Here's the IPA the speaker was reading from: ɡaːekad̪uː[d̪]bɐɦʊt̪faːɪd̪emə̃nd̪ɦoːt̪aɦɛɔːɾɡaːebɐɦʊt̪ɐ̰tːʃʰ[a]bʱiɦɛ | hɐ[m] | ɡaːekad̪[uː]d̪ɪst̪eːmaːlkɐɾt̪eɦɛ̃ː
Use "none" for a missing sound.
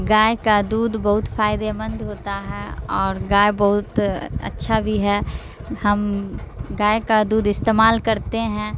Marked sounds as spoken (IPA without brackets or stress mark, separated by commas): d̪, a, m, uː